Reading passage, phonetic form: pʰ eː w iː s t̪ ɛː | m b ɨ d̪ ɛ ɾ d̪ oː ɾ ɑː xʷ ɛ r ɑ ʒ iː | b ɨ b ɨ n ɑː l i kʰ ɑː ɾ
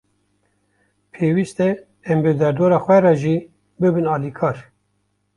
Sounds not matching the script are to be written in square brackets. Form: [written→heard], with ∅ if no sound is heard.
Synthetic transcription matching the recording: pʰ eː w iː s t̪ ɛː | m b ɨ d̪ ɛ ɾ d̪ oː ɾ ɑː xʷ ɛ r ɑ ʒ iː | b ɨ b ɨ n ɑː l i kʰ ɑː ɾ